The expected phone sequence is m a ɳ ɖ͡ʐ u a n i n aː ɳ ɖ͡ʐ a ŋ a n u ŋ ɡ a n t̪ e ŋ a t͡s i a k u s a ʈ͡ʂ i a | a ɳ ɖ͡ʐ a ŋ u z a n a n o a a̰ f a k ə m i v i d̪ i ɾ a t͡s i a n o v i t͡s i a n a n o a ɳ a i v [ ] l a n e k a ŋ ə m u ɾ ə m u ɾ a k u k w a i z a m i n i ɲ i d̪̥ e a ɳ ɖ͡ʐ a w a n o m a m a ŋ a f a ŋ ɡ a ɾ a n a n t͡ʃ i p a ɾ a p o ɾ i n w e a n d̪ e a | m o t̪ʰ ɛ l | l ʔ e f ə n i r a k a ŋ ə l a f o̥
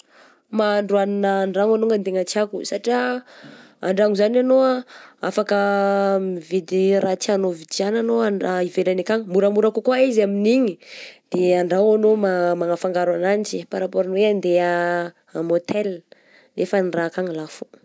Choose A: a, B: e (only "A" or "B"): B